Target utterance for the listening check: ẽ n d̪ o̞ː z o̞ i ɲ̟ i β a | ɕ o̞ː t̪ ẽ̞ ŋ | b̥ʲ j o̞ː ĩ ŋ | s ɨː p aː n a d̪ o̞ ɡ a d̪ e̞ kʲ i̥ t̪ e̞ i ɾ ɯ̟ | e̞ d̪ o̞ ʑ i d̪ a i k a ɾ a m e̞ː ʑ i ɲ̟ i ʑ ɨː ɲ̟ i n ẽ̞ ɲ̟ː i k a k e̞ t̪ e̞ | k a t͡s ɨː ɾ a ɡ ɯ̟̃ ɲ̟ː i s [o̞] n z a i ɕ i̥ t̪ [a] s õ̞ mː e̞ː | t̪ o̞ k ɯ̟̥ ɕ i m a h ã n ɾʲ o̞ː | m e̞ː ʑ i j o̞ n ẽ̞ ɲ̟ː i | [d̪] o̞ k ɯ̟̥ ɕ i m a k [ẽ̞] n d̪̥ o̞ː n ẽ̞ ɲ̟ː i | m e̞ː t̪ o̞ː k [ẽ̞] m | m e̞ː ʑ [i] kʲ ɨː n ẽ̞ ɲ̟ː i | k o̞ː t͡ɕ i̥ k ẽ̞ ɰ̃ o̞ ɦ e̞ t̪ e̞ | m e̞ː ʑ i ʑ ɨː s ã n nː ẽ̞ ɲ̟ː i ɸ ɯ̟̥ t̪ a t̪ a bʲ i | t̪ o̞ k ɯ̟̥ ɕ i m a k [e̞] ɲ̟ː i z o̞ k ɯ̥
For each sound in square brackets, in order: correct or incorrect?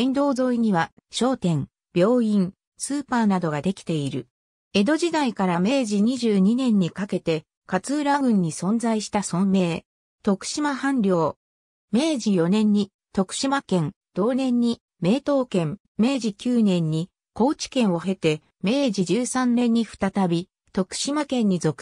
incorrect: õ̞, correct, incorrect: t̪, correct, correct, correct, incorrect: ẽ̞

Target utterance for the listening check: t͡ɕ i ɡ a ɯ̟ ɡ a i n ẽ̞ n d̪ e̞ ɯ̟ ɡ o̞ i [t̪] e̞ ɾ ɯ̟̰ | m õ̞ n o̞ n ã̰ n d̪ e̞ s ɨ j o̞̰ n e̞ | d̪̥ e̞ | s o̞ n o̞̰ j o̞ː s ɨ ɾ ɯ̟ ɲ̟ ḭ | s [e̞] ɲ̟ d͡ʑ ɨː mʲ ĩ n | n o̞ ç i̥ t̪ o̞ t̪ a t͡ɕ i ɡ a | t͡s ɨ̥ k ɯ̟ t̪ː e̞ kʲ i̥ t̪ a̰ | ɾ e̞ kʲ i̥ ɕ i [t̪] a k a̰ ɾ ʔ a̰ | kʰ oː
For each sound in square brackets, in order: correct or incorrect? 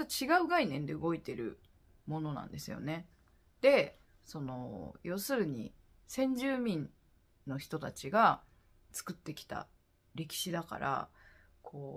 correct, incorrect: ẽ̞, incorrect: d̪

